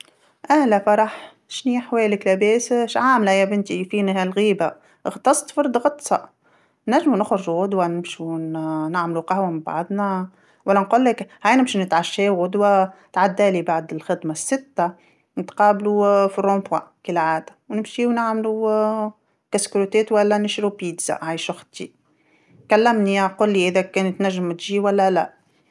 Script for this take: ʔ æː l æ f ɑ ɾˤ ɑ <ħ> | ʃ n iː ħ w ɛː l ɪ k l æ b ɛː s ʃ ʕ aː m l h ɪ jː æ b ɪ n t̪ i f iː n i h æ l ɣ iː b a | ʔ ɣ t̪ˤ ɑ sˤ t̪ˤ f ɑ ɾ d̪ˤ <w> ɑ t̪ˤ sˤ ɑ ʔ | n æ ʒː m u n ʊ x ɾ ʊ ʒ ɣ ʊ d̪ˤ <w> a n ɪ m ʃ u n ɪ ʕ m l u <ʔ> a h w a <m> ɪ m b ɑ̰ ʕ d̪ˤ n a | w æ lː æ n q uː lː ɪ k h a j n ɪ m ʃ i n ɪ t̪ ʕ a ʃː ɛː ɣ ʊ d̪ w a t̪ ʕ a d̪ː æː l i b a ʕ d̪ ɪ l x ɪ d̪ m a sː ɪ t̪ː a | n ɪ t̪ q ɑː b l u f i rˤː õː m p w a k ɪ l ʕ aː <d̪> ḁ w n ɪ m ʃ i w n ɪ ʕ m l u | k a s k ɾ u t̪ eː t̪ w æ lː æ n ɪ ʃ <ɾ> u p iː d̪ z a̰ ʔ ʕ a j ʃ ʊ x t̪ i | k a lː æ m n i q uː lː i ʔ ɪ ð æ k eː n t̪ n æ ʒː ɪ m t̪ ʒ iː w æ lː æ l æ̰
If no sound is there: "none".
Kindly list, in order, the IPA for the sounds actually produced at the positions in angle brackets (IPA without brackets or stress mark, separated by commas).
ħ, ɣ, w, q, m, d̪, ɾ